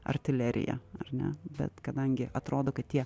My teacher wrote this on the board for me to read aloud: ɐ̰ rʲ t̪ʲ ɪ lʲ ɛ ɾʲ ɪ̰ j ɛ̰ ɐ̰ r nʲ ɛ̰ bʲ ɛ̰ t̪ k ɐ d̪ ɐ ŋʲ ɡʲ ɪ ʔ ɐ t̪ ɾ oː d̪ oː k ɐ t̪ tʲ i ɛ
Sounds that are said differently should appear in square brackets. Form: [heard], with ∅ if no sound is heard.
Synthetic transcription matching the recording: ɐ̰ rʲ t̪ʲ ɪ lʲ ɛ ɾʲ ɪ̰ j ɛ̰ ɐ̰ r nʲ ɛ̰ bʲ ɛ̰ t̪ k ɐ d̪ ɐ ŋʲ ɡʲ ɪ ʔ ɐ t̪ ɾ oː d̪ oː k ɐ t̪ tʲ i ɛ